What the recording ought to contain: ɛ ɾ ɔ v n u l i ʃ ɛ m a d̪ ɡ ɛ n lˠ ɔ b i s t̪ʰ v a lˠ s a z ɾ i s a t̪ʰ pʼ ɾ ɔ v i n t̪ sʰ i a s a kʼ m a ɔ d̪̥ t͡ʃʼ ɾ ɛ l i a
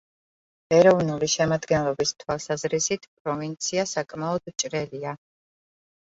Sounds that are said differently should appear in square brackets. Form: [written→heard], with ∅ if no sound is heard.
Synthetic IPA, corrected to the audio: ɛ ɾ ɔ v n u l i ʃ ɛ m a d̪ ɡ ɛ n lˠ ɔ b i s t̪ʰ [v→w] a lˠ s a z ɾ i s [a→i] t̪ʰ pʼ ɾ ɔ v i n t̪ sʰ i a s a kʼ m a ɔ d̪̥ t͡ʃʼ ɾ ɛ l i a